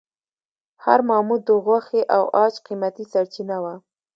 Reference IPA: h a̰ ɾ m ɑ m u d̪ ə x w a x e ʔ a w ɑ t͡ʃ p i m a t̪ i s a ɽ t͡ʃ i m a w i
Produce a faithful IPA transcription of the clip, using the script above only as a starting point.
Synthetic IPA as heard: h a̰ ɾ m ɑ m u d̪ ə ɣ w a x e ʔ a w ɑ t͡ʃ q i m a t̪ i s a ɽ t͡ʃ i n a w a